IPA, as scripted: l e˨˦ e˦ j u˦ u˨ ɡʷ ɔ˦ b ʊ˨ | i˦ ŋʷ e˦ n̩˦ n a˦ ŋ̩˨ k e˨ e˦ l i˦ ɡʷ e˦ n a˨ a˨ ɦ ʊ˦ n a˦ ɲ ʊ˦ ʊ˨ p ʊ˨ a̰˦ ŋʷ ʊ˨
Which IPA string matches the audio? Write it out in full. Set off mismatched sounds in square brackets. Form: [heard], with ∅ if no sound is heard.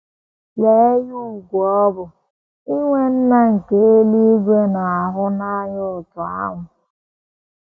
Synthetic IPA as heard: l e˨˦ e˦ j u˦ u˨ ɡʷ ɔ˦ b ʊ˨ | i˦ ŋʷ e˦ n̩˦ n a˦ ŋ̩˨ k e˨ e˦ l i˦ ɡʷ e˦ n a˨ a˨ ɦ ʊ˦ n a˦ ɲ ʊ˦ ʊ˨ [t] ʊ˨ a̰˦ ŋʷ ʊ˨